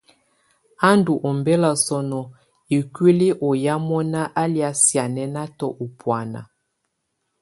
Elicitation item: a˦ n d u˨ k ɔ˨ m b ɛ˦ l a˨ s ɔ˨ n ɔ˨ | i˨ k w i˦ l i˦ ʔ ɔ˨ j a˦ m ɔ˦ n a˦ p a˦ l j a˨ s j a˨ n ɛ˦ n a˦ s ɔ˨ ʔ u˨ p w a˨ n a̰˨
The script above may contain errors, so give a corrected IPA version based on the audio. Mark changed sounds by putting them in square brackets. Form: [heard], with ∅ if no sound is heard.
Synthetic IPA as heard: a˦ n d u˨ [ʔ] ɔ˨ m b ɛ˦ l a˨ s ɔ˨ n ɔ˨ | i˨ k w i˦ l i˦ ʔ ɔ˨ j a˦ m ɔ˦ n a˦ [ʔ] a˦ l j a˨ s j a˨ n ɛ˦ n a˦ [t] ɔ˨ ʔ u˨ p w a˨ n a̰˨

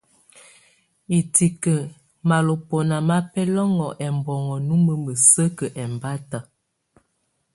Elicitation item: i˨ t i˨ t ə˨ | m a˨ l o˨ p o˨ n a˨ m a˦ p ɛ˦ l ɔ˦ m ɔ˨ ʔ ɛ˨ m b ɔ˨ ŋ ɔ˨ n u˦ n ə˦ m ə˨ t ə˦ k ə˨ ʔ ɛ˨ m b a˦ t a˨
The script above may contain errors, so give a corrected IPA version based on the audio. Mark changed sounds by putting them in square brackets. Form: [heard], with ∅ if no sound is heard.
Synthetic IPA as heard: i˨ t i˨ [k] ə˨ | m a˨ l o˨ p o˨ n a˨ m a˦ p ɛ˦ l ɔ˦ [ŋ] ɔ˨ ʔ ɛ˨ m b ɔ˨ ŋ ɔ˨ n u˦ [m] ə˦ m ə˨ [s] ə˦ k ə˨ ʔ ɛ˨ m b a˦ t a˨

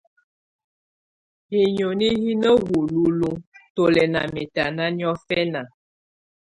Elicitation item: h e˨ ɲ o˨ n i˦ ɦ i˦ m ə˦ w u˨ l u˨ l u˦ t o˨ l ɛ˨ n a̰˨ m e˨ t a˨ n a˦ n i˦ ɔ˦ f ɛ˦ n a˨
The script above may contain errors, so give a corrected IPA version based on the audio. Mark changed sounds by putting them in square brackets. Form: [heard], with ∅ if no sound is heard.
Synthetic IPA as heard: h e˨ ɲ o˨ n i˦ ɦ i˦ [n] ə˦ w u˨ l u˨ l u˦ t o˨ l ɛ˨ n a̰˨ m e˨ t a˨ n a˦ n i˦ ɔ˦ f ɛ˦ n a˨

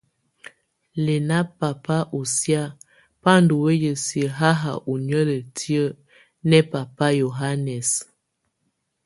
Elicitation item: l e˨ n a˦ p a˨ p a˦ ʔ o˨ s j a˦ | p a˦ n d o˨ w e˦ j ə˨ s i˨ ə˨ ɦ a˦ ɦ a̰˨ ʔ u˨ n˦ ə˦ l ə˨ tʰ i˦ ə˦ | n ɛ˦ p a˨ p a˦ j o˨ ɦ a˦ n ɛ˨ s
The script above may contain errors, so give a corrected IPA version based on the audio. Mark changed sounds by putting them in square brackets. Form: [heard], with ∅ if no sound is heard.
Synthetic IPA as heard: l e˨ n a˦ p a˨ p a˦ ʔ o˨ s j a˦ | p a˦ n d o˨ w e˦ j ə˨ s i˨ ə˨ ɦ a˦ ɦ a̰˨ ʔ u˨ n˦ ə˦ l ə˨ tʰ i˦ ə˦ | n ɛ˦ p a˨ p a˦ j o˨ ɦ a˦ n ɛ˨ s

